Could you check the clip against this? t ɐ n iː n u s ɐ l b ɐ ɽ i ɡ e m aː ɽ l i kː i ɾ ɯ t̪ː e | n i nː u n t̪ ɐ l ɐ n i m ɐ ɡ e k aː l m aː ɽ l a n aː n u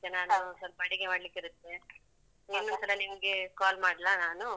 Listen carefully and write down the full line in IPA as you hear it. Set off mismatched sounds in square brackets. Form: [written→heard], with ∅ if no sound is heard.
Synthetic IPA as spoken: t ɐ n [iː→aː] n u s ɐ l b ɐ ɽ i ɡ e m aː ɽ l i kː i ɾ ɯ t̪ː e | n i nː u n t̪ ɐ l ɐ n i m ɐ ɡ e k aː l m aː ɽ l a n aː n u